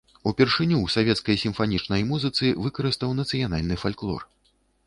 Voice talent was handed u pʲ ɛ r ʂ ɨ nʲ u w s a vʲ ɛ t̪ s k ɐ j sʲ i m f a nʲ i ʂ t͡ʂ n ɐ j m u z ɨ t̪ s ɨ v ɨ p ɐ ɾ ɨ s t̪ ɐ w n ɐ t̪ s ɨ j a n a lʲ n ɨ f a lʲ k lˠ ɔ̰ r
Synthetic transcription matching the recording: u pʲ ɛ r ʂ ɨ nʲ u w s a vʲ ɛ t̪ s k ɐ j sʲ i m f a nʲ i t͡ʂ n ɐ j m u z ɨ t̪ s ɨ v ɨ k ɐ ɾ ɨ s t̪ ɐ w n ɐ t̪ s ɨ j a n a lʲ n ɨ f a lʲ k lˠ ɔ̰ r

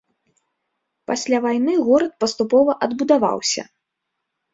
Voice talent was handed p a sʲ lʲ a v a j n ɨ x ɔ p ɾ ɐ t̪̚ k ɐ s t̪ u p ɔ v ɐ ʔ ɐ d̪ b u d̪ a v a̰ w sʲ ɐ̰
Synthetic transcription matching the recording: p a sʲ lʲ a v a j n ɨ ɣ ɔ ɾ ɐ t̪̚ p ɐ s t̪ u p ɔ v ɐ ʔ ɐ d̪ b u d̪ a v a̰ w sʲ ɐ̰

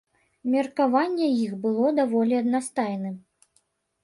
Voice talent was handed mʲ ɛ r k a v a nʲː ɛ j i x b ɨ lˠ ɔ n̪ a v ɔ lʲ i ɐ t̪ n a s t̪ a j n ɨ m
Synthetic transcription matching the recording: mʲ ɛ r k a v a nʲː ɛ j i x b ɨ lˠ ɔ d̪ a v ɔ lʲ i ɐ d̪ n a s t̪ a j n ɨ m

